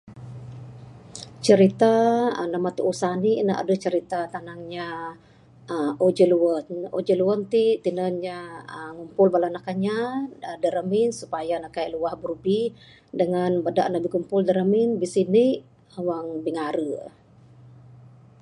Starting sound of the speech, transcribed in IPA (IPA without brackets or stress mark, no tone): t͡ʃ